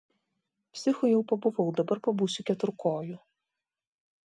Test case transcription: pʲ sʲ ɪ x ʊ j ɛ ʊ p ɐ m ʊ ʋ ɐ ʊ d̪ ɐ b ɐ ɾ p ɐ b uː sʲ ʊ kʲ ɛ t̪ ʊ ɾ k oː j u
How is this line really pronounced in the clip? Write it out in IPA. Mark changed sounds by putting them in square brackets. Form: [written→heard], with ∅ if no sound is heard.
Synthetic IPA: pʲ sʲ ɪ x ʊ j ɛ ʊ p ɐ [m→b] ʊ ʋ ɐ ʊ d̪ ɐ b ɐ ɾ p ɐ b uː sʲ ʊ kʲ ɛ t̪ ʊ ɾ k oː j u